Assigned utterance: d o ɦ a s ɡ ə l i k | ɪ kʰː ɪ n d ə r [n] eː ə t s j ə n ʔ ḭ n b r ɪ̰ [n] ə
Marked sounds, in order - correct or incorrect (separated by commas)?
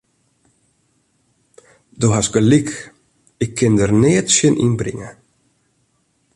correct, incorrect